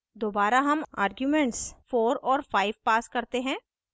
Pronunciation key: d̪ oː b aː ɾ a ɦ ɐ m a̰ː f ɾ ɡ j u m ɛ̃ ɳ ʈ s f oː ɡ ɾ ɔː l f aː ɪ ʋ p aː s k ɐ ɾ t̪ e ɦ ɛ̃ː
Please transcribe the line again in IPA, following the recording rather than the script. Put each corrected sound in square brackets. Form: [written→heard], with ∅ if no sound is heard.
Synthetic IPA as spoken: d̪ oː b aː ɾ a ɦ ɐ m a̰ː [f→∅] ɾ ɡ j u m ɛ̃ ɳ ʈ s f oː [ɡ→∅] ɾ ɔː [l→ɾ] f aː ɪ ʋ p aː s k ɐ ɾ t̪ e ɦ ɛ̃ː